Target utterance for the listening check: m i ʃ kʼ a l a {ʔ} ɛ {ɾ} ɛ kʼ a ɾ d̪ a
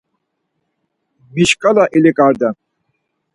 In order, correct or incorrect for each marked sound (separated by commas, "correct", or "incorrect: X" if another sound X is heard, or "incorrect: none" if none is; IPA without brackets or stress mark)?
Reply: correct, incorrect: l